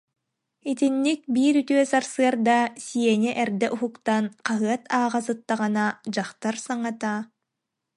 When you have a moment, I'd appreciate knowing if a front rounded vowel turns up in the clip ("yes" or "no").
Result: yes